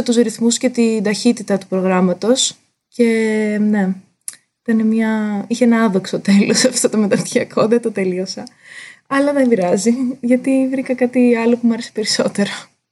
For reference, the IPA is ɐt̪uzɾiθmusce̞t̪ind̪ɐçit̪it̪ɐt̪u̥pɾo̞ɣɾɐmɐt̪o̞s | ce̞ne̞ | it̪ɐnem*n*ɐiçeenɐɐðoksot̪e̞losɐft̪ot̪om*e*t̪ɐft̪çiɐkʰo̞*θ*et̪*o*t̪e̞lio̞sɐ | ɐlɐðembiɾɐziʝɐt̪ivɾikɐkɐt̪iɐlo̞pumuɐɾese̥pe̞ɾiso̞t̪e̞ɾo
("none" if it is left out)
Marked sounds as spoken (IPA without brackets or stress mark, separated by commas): ɲ, e, ð, o